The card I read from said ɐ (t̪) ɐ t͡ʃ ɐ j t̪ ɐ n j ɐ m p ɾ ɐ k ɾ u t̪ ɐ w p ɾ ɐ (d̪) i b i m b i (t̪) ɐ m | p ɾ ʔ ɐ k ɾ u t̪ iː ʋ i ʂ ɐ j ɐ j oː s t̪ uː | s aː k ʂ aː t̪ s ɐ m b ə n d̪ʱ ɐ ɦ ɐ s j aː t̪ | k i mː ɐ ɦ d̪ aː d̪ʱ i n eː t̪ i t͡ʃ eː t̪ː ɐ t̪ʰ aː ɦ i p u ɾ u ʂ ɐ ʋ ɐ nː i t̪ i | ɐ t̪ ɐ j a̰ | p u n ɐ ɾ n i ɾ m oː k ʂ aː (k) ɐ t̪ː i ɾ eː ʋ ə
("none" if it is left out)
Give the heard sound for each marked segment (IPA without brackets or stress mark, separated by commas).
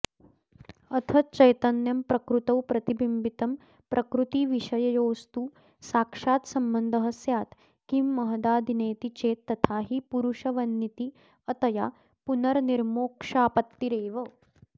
t̪ʰ, t̪, t̪, p